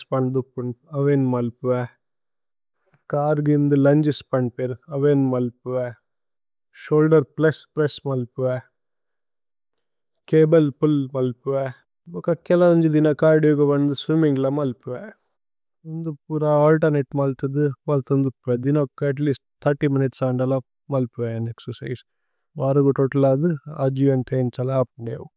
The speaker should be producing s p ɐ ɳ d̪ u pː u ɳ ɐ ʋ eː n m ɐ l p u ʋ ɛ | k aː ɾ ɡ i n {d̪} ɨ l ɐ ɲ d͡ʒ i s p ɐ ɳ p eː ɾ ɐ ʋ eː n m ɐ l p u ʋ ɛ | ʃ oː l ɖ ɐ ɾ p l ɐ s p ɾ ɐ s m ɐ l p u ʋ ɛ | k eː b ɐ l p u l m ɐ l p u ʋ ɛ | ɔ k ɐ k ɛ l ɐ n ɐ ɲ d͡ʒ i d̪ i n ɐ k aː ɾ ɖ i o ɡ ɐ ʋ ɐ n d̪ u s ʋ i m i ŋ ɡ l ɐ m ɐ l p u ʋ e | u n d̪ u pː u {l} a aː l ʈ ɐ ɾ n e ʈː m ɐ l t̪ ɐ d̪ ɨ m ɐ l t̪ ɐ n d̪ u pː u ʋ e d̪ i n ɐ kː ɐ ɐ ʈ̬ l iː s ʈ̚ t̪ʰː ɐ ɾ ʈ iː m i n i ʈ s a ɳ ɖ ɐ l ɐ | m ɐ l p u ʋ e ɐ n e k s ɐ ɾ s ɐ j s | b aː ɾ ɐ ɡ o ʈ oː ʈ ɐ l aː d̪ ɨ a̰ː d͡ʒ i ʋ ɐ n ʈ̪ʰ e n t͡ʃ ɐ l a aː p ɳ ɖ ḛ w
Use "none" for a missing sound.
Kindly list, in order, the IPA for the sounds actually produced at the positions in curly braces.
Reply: d̪, ɾ

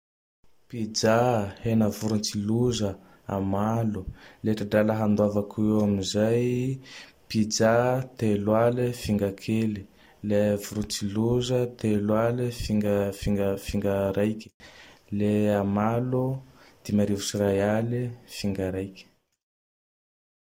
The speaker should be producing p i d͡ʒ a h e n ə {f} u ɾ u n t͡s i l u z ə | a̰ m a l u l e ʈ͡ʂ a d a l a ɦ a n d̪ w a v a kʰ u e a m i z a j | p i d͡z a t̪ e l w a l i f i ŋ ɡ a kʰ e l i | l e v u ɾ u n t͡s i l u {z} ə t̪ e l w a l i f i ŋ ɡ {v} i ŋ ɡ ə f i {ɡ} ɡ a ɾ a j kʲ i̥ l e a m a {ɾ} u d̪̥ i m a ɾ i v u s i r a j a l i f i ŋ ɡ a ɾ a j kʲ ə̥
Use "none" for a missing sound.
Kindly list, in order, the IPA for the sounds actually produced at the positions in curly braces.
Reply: v, z, f, ŋ, l

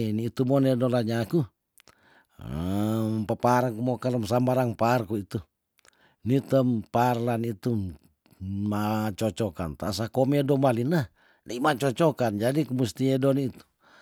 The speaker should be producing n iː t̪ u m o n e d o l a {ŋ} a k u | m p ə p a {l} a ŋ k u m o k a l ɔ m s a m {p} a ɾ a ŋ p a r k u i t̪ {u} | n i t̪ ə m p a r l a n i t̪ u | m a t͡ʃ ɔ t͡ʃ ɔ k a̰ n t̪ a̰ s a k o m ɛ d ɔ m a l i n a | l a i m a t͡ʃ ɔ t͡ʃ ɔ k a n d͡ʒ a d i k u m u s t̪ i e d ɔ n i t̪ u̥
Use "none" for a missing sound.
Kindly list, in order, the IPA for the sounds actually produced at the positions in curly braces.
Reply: ɲ, ɾ, b, u

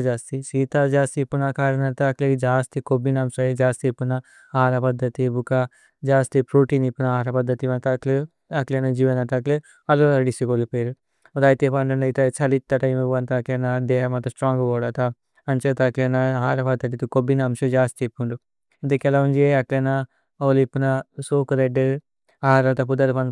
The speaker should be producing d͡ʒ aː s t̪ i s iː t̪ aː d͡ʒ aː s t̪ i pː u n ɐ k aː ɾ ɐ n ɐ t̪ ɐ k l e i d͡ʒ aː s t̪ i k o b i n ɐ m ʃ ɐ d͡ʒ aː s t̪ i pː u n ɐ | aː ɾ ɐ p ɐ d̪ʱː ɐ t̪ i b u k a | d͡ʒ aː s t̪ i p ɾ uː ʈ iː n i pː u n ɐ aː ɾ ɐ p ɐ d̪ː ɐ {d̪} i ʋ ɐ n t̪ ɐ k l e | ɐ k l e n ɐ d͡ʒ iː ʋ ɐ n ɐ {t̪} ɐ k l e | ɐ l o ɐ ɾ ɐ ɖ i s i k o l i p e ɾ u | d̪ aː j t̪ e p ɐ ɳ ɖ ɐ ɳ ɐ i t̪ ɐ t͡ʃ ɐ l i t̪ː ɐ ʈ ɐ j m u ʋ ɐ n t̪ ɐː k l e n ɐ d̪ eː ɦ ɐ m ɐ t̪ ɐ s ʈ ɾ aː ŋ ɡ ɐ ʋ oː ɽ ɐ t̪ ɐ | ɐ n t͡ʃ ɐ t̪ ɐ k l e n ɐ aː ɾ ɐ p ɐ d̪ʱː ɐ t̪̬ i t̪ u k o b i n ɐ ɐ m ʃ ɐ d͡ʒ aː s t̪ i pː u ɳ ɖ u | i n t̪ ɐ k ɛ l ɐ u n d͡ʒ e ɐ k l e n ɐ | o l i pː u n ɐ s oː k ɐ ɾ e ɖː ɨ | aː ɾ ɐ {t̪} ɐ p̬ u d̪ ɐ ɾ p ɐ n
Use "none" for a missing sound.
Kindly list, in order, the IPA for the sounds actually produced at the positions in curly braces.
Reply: t̪, t̪, t̪

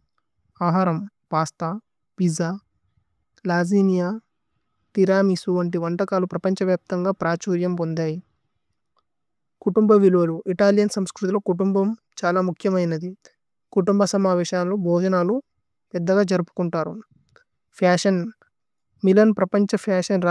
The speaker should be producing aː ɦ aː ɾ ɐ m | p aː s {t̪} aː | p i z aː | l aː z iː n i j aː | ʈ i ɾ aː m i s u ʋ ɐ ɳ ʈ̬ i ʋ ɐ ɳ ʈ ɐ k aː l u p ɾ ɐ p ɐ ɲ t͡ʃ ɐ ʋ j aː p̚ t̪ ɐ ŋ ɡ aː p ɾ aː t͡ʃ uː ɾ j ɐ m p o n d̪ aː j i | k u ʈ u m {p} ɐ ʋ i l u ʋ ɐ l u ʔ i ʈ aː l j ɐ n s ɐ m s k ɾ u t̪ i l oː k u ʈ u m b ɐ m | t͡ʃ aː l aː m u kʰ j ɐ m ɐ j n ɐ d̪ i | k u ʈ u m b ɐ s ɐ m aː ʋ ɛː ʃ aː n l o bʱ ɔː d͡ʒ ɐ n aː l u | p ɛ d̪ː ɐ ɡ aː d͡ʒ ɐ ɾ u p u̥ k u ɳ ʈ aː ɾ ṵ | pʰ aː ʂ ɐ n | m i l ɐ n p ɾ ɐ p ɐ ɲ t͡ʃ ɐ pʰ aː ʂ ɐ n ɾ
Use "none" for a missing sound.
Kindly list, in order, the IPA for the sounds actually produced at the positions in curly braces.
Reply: t̪, b

